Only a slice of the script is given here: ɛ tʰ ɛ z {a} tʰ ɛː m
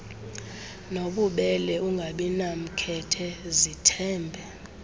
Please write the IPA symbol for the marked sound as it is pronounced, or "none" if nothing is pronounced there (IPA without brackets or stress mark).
i